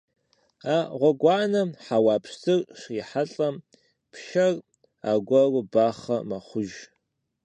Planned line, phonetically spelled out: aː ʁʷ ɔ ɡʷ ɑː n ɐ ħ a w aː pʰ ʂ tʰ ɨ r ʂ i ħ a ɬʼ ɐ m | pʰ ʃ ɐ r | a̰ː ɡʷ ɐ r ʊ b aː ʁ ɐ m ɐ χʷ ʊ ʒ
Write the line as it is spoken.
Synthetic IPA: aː ʁʷ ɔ ɡʷ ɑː n ɐ ħ a w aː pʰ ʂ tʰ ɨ r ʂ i ħ a ɬʼ ɐ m | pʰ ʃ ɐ r | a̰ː ɡʷ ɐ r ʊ b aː χ ɐ m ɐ χʷ ʊ ʒ